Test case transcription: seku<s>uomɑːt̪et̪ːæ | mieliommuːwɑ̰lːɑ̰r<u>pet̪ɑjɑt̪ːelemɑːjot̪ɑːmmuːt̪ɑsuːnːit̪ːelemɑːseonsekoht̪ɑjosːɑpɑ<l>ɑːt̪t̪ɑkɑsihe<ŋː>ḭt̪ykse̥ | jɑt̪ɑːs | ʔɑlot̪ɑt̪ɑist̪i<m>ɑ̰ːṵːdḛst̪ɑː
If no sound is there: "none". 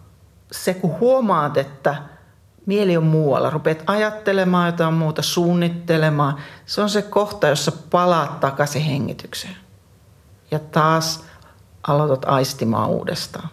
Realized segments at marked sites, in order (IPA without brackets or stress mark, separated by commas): h, u, l, ŋː, m